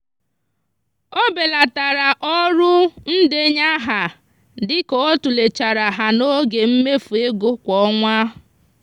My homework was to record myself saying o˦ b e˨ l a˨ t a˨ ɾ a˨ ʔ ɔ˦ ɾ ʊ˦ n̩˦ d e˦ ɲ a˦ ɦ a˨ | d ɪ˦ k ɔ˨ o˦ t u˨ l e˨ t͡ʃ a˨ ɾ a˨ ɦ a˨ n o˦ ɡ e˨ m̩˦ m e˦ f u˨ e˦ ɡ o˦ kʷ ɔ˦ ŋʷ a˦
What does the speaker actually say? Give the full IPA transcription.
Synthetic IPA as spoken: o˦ b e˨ l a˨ t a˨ ɾ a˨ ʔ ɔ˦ ɾ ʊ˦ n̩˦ d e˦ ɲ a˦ ɦ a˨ | d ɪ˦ k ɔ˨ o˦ t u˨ l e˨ t͡ʃ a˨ ɾ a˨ ɦ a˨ n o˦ ɡ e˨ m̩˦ m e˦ f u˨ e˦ ɡ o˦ kʷ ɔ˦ ŋʷ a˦